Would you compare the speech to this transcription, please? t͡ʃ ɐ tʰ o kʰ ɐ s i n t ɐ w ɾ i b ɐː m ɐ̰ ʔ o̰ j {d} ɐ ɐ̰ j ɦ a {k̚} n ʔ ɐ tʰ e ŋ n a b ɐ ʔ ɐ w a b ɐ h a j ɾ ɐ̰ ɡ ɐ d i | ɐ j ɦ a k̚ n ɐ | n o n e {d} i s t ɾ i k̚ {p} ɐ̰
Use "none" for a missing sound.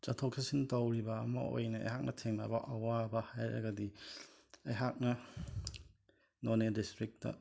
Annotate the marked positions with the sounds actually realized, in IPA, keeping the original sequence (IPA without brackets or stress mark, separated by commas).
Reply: n, k̚, d, t